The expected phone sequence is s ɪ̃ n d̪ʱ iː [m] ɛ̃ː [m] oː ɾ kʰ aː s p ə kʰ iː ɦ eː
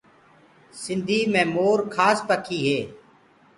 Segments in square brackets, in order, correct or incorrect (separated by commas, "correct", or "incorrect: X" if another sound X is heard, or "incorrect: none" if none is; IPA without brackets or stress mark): correct, correct